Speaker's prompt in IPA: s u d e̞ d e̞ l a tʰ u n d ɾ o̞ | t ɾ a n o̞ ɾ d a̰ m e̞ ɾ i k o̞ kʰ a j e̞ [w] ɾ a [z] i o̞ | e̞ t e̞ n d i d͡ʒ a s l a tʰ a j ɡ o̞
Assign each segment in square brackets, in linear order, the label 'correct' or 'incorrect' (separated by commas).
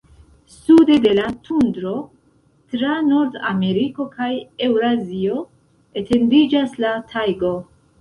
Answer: correct, correct